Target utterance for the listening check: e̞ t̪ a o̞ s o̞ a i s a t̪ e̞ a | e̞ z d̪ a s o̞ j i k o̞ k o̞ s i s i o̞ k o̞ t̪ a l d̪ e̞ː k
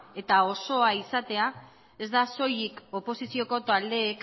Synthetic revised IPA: e̞ t̪ a o̞ s o̞ a i s a t̪ e̞ a | e̞ z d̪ a s o̞ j i k o̞ p o̞ s i s i o̞ k o̞ t̪ a l d̪ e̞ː k